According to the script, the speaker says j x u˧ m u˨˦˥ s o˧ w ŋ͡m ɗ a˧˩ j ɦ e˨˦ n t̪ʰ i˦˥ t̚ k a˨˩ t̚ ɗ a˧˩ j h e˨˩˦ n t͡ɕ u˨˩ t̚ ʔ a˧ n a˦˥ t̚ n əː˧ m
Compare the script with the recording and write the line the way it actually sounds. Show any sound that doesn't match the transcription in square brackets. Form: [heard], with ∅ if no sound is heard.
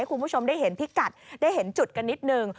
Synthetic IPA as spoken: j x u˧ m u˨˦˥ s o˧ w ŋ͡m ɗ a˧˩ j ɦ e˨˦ n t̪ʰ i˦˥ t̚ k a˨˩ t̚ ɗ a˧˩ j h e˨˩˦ n t͡ɕ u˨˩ t̚ [k] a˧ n [i˦˥] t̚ n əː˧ [ŋ]